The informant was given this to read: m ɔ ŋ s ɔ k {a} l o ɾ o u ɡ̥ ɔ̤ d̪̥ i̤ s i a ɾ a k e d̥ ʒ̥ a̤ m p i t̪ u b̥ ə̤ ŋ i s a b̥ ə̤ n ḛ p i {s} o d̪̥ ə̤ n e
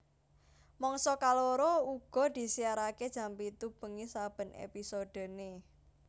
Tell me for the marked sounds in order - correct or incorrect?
correct, correct

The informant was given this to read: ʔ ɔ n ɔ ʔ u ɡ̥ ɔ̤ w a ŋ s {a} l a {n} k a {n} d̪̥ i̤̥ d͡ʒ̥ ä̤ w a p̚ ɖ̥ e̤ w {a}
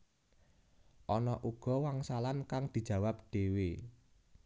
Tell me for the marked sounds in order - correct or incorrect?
correct, correct, incorrect, incorrect

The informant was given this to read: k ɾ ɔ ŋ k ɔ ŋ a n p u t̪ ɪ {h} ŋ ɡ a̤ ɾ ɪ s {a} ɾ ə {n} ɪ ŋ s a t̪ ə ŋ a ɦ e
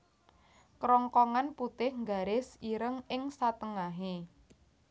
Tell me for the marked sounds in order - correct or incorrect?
correct, incorrect, incorrect

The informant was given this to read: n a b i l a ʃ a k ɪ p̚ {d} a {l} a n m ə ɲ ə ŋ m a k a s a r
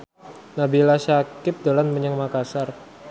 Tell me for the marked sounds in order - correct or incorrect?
correct, correct

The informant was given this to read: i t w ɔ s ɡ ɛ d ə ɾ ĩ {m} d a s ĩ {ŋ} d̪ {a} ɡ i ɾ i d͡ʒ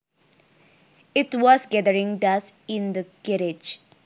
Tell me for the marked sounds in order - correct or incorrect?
incorrect, incorrect, incorrect

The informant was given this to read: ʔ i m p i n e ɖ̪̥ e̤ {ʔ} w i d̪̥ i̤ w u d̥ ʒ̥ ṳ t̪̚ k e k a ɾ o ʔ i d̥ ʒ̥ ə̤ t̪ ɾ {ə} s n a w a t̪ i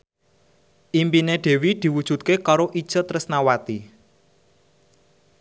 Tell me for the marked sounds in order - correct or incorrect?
incorrect, correct

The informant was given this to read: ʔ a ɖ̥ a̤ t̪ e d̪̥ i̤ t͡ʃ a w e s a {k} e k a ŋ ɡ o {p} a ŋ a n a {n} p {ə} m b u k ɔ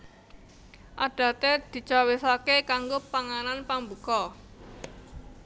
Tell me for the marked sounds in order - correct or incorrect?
correct, correct, correct, incorrect

